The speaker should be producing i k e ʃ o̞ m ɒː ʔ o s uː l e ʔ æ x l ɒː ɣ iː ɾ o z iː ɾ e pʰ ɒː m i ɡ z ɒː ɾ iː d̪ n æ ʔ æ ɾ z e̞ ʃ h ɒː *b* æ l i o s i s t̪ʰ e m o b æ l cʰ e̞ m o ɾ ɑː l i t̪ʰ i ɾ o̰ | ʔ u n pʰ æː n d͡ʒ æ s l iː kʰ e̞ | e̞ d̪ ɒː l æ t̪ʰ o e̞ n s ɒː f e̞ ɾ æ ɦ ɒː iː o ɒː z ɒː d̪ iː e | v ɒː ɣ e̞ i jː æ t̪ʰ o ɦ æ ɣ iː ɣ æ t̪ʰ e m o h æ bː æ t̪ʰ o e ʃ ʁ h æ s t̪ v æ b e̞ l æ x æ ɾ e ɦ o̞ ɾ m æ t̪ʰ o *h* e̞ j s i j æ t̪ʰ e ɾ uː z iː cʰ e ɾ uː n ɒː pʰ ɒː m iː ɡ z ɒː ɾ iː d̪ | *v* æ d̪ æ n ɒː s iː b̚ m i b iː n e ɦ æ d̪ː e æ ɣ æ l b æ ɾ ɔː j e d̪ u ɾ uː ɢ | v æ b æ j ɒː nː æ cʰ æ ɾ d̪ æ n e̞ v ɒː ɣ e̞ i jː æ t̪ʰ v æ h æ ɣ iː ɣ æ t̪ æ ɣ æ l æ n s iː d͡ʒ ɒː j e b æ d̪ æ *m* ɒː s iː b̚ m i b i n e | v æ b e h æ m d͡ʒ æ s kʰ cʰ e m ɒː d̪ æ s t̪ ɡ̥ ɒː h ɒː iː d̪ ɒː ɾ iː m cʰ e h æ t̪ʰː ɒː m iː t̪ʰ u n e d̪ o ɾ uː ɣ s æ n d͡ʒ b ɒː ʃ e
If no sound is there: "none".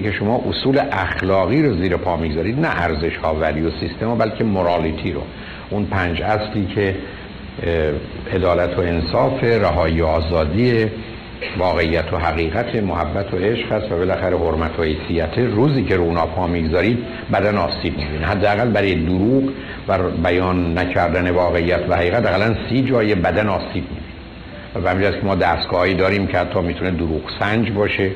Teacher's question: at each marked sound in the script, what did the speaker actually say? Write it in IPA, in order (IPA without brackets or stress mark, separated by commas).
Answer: v, h, b, n